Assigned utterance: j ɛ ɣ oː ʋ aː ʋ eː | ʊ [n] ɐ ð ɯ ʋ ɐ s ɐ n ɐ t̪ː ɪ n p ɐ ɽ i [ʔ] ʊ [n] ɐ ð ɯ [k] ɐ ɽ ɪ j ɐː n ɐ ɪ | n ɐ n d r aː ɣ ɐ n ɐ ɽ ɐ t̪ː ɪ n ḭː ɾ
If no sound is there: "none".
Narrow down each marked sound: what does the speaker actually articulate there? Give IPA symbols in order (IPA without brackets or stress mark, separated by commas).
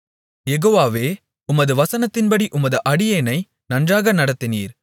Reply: m, ʔ, m, ʔ